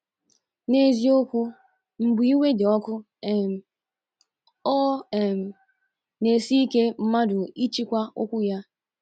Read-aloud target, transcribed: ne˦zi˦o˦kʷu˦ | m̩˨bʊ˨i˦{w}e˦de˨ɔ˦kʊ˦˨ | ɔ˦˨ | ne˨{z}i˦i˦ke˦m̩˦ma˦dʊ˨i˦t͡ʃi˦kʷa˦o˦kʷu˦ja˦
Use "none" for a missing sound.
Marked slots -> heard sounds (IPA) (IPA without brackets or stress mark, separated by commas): w, s